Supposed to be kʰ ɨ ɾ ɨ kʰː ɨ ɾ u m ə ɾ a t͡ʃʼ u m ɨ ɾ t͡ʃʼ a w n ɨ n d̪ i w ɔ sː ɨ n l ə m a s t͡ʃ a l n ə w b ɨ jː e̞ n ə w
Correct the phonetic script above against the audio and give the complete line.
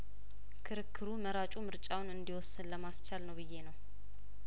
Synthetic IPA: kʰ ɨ ɾ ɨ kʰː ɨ ɾ u m ə ɾ a t͡ʃʼ u m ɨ ɾ t͡ʃʼ a w n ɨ n d̪ i w ɔ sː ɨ n l ə m a s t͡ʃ a l n ə w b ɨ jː e̞ n ə w